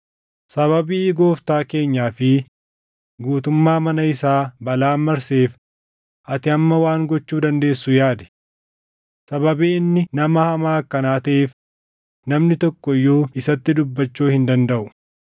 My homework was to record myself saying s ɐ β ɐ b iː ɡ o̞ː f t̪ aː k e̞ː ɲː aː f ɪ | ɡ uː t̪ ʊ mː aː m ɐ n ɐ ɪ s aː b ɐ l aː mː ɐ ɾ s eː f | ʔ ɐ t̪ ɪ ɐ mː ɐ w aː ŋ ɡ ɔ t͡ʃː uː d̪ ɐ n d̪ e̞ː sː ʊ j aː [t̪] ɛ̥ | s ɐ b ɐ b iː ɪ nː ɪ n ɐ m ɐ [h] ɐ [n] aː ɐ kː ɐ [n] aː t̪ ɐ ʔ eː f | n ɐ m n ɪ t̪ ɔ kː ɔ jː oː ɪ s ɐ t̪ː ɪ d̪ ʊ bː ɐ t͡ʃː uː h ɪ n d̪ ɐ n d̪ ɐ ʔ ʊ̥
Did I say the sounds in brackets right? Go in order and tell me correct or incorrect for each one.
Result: incorrect: d̪, correct, incorrect: m, correct

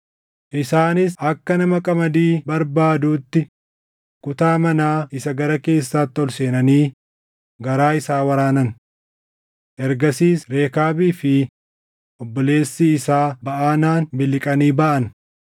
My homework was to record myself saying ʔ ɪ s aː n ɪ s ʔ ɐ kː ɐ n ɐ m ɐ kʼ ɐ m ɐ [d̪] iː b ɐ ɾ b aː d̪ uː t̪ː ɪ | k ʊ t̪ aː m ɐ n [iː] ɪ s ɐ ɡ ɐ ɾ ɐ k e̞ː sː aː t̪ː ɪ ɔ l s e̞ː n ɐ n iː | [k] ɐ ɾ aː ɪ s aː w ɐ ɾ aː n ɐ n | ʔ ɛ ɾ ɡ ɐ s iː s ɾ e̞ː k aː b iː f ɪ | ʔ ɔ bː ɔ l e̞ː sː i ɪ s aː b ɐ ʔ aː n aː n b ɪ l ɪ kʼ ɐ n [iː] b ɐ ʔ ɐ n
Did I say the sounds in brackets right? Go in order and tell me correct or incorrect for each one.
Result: correct, incorrect: aː, incorrect: ɡ, correct

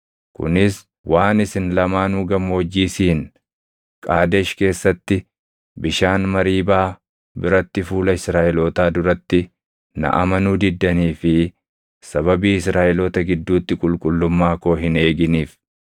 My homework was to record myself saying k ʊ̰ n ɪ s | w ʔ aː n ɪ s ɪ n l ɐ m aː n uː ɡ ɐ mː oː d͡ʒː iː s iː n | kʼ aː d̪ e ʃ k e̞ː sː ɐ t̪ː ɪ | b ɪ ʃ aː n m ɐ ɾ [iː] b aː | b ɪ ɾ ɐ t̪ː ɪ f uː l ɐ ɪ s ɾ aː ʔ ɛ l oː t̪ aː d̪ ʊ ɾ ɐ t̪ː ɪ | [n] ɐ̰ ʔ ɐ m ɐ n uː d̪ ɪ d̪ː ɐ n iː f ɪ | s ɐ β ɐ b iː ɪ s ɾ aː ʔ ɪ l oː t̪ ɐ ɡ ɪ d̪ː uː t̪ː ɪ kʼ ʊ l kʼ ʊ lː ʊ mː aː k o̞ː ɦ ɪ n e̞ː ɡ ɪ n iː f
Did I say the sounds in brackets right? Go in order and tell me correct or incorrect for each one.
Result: correct, correct

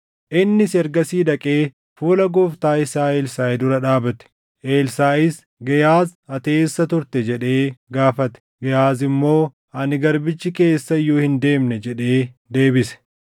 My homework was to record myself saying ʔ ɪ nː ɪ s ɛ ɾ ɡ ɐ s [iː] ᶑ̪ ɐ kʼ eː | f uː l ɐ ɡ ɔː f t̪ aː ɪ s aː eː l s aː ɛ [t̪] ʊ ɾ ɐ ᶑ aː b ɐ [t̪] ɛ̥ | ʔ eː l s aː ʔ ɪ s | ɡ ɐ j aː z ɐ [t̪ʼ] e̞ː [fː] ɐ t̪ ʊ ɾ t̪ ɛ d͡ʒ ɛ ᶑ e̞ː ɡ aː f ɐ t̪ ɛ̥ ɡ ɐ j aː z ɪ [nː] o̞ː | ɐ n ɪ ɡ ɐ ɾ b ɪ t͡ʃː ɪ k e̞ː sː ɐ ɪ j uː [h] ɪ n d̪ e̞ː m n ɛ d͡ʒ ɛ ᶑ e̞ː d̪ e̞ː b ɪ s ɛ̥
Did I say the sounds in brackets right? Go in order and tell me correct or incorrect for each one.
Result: correct, incorrect: d̪, correct, incorrect: t̪, incorrect: sː, incorrect: mː, correct

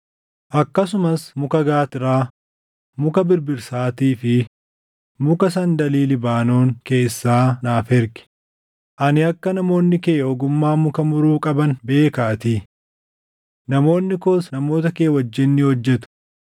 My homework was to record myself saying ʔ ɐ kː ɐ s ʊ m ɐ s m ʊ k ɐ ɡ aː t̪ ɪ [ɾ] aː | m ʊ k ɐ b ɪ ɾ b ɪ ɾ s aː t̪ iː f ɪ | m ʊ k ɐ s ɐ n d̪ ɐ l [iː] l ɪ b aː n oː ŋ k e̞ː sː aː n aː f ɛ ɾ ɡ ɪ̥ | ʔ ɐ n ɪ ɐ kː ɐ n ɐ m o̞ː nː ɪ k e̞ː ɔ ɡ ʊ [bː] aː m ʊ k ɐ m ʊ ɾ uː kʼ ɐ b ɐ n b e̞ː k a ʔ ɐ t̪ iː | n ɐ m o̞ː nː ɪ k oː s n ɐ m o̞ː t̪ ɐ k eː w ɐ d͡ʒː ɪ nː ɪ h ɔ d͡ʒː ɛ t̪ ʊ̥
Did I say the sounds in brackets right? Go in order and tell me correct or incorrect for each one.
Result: correct, correct, incorrect: mː

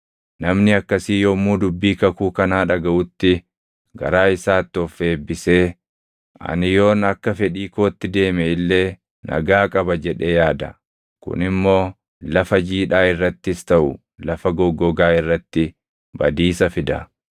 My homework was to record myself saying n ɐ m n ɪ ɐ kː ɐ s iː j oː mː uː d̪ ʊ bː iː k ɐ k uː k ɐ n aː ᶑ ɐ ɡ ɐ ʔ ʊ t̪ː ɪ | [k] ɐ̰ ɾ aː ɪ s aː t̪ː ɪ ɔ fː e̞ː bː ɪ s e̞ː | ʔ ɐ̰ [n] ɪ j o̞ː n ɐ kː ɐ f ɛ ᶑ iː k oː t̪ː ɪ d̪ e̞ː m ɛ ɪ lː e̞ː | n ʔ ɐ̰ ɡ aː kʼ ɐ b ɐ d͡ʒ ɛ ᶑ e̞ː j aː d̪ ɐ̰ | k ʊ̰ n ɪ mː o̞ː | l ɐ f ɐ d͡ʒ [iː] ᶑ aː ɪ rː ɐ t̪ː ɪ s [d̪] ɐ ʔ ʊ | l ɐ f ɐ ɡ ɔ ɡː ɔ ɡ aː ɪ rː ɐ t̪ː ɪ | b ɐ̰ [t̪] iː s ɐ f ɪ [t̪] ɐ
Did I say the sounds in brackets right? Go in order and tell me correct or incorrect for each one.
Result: incorrect: ɡ, correct, correct, incorrect: t̪, incorrect: d̪, incorrect: d̪

